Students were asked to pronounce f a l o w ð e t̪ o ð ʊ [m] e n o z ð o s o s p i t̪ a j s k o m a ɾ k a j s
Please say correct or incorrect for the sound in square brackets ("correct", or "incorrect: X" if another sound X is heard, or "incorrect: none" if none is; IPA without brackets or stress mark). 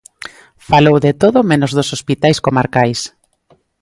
correct